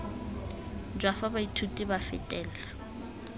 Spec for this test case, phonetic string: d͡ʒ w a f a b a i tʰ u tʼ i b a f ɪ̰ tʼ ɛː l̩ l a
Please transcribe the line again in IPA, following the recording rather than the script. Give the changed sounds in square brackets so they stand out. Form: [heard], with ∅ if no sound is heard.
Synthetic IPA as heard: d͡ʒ w a f a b a i tʰ u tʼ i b a f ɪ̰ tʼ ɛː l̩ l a